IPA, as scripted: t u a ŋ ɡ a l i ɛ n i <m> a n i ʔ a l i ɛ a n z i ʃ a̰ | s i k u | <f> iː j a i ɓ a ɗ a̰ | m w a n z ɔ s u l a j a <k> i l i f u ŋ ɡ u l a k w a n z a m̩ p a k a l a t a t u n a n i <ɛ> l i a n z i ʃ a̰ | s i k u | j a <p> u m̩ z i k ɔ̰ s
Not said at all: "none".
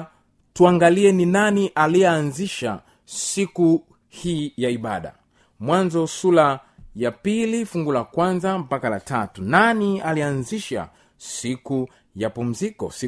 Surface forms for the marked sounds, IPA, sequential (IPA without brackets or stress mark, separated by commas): n, h, p, a, p